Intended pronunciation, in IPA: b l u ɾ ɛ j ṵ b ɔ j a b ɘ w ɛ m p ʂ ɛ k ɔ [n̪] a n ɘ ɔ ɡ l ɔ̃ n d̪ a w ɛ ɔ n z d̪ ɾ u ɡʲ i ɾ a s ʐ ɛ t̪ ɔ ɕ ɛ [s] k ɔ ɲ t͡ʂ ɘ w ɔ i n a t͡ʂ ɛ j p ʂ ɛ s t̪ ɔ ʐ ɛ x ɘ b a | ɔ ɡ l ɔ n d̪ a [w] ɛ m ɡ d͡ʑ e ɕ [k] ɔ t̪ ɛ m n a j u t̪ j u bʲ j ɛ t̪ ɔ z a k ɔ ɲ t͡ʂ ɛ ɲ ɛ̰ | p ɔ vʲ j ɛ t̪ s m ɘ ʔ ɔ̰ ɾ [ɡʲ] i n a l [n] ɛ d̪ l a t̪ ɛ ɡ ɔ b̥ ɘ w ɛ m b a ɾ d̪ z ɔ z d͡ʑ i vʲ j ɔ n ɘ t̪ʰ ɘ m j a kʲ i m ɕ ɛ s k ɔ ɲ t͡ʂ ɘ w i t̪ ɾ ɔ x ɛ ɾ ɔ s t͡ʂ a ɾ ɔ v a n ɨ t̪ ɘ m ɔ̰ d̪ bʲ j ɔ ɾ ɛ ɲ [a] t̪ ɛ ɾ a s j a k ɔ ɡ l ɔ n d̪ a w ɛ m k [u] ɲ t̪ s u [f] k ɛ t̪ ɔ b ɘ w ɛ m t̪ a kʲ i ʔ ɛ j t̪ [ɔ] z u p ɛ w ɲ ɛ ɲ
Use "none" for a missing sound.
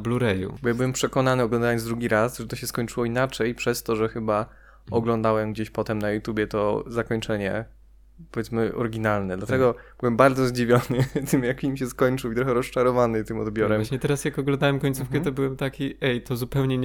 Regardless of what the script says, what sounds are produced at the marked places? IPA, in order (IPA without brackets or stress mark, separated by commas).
n̪, s, w, p, ɡʲ, n, ɛ, ɔ, f, ɔ